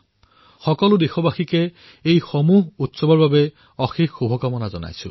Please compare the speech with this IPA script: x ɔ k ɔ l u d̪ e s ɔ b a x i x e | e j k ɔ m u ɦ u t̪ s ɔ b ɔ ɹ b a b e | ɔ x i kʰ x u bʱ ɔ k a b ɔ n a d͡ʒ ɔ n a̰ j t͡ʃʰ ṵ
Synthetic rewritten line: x ɔ k ɔ l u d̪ e x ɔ b a x i k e | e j x ɔ m u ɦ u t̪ s ɔ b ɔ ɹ b a b e | ɔ x i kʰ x u bʱ ɔ k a m ɔ n a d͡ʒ ɔ n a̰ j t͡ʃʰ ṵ